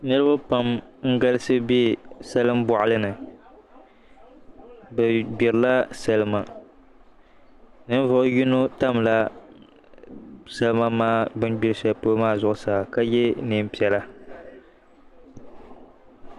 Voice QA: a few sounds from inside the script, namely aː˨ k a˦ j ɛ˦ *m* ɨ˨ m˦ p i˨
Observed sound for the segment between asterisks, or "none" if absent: n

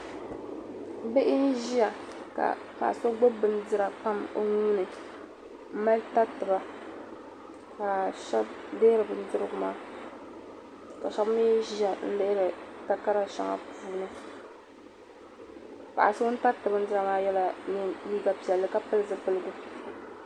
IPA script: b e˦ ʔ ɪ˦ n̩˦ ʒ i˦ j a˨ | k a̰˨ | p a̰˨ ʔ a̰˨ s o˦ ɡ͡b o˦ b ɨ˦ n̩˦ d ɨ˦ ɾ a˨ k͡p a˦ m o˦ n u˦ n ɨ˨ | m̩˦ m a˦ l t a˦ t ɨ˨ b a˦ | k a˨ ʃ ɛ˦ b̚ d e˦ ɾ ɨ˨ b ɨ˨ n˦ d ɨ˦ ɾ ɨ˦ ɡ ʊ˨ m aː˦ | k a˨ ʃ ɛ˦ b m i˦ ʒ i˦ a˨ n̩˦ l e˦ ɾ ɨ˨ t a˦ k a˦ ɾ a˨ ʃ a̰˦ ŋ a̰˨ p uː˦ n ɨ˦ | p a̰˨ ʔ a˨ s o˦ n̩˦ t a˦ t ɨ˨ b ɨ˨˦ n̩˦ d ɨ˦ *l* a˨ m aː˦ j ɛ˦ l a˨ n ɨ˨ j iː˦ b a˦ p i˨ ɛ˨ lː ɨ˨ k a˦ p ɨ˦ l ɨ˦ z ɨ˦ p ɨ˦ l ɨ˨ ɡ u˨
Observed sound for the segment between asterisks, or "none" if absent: ɾ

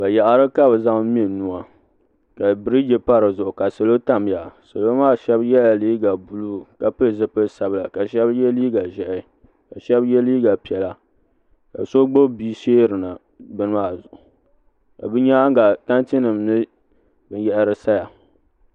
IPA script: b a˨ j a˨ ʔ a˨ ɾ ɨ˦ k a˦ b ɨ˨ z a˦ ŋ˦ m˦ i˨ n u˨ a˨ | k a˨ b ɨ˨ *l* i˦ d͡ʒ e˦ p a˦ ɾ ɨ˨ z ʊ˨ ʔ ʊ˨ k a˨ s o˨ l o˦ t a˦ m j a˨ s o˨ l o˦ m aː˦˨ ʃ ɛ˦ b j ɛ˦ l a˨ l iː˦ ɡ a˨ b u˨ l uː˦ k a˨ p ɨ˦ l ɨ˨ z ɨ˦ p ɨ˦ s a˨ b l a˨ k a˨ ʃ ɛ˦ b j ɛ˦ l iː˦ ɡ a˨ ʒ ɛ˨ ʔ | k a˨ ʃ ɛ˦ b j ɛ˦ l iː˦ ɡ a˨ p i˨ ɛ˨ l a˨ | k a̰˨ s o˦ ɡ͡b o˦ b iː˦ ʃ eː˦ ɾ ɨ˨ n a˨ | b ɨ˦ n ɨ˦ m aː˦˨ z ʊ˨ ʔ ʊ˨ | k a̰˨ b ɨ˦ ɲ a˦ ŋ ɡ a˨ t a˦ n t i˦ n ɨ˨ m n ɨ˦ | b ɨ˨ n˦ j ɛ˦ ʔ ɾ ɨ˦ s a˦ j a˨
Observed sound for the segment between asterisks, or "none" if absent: ɾ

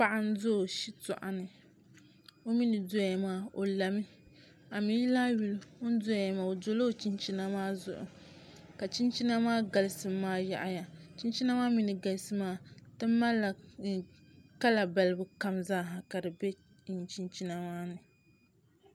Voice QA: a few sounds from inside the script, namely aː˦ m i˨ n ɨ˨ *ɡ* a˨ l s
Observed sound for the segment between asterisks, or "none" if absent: ɡ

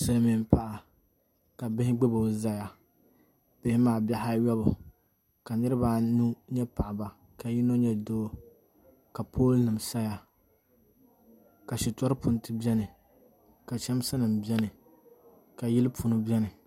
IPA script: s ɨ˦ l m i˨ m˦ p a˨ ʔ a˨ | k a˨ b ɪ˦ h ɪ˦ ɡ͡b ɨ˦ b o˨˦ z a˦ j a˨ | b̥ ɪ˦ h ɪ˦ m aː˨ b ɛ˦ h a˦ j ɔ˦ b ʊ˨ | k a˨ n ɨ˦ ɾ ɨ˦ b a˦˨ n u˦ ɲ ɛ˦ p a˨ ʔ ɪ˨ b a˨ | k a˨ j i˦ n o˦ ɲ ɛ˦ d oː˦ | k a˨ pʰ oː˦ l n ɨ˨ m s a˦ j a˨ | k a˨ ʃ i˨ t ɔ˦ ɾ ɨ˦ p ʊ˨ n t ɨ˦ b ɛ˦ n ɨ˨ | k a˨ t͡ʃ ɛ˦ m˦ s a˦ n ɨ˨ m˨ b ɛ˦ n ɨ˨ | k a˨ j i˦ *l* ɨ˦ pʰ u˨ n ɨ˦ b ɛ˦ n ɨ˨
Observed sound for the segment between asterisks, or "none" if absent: l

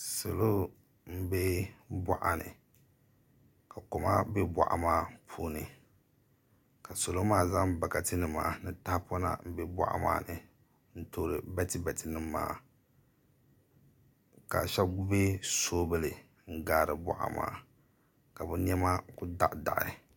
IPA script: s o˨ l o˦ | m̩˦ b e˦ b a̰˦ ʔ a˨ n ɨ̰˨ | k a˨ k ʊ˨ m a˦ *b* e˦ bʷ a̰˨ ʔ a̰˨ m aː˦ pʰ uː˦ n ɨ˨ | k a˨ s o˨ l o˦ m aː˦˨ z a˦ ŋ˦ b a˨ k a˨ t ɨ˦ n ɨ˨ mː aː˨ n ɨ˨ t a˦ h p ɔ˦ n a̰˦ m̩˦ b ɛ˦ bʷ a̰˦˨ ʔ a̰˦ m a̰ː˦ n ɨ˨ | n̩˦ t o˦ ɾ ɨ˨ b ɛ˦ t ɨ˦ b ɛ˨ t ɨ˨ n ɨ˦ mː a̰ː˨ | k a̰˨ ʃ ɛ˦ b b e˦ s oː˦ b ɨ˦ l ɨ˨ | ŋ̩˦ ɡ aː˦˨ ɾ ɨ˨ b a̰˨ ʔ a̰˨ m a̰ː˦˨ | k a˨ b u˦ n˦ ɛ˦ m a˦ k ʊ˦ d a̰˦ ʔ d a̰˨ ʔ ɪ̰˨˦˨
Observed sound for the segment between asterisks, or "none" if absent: b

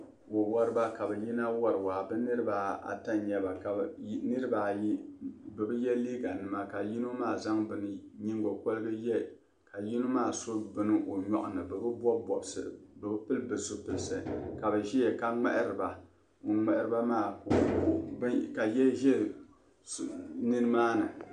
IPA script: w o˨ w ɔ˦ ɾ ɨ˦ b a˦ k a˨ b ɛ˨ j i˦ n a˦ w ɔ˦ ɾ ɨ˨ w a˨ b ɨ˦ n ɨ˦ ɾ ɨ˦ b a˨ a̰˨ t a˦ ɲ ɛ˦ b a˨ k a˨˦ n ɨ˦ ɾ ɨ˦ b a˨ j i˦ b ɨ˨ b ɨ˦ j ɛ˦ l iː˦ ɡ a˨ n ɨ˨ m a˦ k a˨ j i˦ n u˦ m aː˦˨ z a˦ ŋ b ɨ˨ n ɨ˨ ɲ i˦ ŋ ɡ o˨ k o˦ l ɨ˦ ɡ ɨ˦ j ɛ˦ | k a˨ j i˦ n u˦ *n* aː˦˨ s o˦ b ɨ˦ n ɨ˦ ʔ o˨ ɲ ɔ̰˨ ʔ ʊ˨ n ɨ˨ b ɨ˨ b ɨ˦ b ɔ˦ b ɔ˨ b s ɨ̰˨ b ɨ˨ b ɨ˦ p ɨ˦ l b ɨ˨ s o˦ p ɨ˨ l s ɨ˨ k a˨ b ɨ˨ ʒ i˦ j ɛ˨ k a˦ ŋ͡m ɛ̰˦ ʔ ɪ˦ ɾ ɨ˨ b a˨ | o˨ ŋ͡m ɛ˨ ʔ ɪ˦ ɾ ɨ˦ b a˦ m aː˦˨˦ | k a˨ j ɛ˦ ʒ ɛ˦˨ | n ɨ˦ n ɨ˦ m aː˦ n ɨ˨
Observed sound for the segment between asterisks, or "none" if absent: m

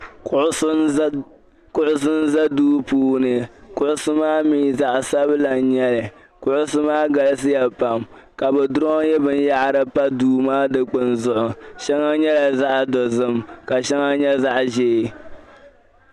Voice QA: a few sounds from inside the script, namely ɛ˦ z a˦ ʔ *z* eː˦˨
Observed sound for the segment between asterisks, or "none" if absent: ʒ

